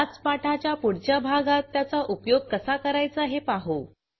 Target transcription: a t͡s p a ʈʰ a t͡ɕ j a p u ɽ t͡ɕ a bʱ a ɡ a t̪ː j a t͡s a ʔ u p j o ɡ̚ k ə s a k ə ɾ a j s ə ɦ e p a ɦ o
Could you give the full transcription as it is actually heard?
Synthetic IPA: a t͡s p a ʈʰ a t͡ɕ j a p u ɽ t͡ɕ a bʱ a ɡ a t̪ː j a t͡s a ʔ u p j o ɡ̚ k ə s a k ə ɾ a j t͡s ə ɦ e p a ɦ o